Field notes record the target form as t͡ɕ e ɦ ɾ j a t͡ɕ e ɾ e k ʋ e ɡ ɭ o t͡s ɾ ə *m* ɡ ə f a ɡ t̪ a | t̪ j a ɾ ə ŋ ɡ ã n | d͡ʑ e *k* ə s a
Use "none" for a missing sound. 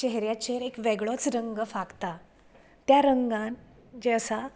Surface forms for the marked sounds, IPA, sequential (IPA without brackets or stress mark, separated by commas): ŋ, none